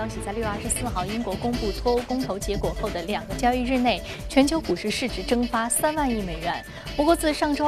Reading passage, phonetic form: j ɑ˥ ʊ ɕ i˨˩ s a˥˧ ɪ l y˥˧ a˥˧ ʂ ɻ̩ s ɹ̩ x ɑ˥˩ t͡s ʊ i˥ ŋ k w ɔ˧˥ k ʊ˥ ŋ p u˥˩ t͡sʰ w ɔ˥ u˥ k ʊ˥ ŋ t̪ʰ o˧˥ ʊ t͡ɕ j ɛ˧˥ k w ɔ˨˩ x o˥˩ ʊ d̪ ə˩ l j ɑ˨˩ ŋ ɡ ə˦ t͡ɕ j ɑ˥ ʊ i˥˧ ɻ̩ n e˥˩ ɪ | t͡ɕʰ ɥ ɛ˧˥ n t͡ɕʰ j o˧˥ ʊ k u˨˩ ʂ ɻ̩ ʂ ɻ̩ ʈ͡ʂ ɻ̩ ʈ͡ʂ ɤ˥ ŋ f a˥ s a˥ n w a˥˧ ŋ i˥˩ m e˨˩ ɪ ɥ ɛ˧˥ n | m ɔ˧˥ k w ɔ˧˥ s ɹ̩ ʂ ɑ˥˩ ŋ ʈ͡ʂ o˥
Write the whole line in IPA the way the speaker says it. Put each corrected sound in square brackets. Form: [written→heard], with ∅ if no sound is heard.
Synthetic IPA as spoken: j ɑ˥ ʊ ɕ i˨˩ [s→t͡s] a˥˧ ɪ l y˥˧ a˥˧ ʂ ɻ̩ s ɹ̩ x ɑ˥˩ [t͡s→∅] ʊ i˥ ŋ k w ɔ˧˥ k ʊ˥ ŋ p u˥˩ t͡sʰ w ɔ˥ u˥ k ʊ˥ ŋ t̪ʰ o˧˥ ʊ t͡ɕ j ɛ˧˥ k w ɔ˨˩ x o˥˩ ʊ d̪ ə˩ l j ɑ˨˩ ŋ ɡ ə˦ t͡ɕ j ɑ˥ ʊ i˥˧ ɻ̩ n e˥˩ ɪ | t͡ɕʰ ɥ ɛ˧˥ n t͡ɕʰ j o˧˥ ʊ k u˨˩ ʂ ɻ̩ ʂ ɻ̩ ʈ͡ʂ ɻ̩ ʈ͡ʂ ɤ˥ ŋ f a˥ s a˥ n w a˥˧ [ŋ→n] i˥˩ m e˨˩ ɪ ɥ ɛ˧˥ n | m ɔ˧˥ k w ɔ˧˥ [s→t͡s] ɹ̩ ʂ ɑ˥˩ ŋ ʈ͡ʂ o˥